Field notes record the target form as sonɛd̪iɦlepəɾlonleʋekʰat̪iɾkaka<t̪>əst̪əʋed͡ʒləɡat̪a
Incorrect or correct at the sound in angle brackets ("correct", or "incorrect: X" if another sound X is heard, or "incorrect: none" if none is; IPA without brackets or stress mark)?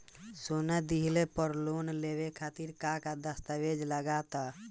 incorrect: d̪